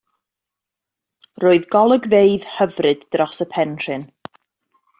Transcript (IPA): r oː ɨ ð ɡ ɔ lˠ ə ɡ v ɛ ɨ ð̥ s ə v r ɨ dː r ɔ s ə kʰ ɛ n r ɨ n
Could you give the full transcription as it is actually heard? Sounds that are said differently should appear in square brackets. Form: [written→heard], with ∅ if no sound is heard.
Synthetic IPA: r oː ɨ ð ɡ ɔ lˠ ə ɡ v [ɛ→e] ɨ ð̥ [s→h] ə v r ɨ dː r ɔ s ə [kʰ→pʰ] ɛ n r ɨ n

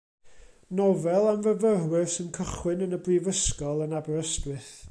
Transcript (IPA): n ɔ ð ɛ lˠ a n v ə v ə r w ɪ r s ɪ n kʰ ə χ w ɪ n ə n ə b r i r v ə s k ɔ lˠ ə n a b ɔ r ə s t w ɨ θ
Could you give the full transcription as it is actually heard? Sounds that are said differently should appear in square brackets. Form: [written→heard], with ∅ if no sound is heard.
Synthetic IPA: n ɔ [ð→v] ɛ lˠ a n v ə v ə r w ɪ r s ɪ n kʰ ə χ w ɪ n ə n ə b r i [r→∅] v ə s k ɔ lˠ ə n a b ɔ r ə s t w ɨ θ

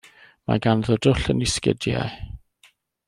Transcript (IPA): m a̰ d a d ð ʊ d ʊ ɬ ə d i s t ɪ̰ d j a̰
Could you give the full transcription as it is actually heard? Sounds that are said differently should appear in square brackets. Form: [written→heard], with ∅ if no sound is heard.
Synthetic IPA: m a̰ [d→ɡ] a [d→n] ð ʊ d ʊ ɬ ə [d→n] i s [t→k] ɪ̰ d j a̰

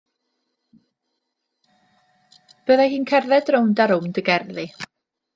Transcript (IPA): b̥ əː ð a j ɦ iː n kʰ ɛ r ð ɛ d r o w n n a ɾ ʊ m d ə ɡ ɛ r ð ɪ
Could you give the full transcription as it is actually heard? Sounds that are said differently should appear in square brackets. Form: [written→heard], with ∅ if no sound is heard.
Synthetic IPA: b̥ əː ð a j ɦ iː n kʰ ɛ r ð ɛ d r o w n [n→d] a ɾ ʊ m d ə ɡ ɛ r ð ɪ

